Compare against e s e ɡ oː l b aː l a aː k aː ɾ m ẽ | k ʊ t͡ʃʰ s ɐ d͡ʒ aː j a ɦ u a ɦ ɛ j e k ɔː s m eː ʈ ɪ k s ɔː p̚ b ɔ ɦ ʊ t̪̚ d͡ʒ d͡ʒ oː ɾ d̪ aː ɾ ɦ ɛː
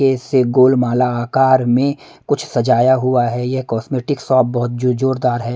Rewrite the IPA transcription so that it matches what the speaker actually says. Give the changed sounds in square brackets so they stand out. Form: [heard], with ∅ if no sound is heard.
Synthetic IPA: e s e ɡ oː l [m] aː l a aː k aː ɾ m ẽ | k ʊ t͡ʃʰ s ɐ d͡ʒ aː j a ɦ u a ɦ ɛ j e k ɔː s m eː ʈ ɪ k s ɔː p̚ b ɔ ɦ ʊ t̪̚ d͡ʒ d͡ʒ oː ɾ d̪ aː ɾ ɦ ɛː